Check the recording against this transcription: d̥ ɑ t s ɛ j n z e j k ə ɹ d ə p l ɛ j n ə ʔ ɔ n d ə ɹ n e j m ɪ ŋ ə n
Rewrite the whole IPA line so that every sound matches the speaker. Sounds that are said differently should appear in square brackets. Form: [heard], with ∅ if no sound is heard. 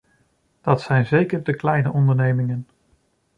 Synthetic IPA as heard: d̥ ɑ t s ɛ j n z e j k ə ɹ d ə [k] l ɛ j n ə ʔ ɔ n d ə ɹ n e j m ɪ ŋ ə n